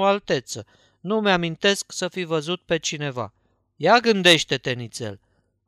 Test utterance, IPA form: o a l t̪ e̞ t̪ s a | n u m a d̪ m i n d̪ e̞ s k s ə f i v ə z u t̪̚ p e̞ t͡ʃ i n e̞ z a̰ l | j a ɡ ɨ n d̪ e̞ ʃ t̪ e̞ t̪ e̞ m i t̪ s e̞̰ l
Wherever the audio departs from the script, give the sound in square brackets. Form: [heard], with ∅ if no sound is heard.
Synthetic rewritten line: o a l t̪ e̞ t̪ s [ə] | n u m a [∅] m i n [t̪] e̞ s k s ə f i v ə z u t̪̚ p e̞ t͡ʃ i n e̞ [v] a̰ [∅] | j a ɡ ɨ n d̪ e̞ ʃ t̪ e̞ t̪ e̞ [n] i t̪ s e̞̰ l